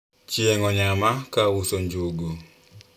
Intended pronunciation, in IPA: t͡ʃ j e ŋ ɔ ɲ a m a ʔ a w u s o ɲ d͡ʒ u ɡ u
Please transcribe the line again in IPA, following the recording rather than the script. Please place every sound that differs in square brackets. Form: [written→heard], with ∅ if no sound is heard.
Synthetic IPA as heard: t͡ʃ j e ŋ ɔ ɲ a m a [ʔ→k] a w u s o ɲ d͡ʒ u ɡ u